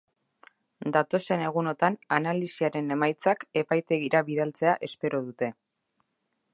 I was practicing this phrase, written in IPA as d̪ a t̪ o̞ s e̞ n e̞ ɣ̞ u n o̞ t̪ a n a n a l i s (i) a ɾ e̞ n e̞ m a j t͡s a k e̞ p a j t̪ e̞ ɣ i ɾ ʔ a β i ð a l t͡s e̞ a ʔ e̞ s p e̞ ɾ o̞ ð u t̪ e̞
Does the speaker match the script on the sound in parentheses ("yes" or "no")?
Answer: yes